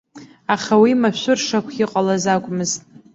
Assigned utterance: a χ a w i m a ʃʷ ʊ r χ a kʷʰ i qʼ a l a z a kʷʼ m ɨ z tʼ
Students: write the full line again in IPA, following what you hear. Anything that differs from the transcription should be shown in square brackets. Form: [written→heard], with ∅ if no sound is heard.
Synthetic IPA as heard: a χ a w i m a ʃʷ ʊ r [χ→ʂ] a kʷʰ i qʼ a l a z a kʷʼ m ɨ z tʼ